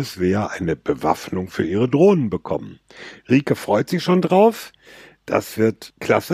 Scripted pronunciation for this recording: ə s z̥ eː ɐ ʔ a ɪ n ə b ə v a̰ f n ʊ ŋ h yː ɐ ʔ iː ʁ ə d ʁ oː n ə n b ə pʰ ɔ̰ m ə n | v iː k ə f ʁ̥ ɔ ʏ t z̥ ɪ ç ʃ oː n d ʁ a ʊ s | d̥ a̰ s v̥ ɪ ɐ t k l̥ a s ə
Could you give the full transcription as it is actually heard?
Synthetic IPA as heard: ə s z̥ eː ɐ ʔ a ɪ n ə b ə v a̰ f n ʊ ŋ f yː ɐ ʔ iː ʁ ə d ʁ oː n ə n b ə kʰ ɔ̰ m ə n | ʁ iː k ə f ʁ̥ ɔ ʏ t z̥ ɪ ç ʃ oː n d ʁ a ʊ f | d̥ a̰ s v̥ ɪ ɐ t k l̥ a s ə